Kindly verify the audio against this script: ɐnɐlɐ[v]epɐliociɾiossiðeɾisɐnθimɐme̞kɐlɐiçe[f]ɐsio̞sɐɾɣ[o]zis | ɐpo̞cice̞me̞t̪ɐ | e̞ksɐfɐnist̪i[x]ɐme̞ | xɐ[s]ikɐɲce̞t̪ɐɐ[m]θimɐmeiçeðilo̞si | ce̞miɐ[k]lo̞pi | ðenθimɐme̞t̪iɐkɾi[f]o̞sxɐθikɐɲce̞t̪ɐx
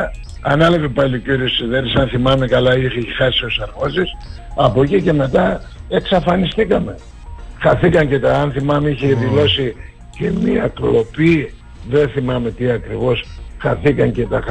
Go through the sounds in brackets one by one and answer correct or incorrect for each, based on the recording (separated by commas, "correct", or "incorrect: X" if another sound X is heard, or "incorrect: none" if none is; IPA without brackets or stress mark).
correct, incorrect: x, correct, incorrect: k, incorrect: θ, incorrect: n, correct, incorrect: v